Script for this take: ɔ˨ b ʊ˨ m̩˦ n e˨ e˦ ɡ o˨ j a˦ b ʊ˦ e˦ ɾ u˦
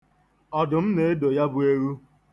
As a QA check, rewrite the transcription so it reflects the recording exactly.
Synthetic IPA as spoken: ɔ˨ d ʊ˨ m̩˦ n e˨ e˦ d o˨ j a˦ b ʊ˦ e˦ ɾ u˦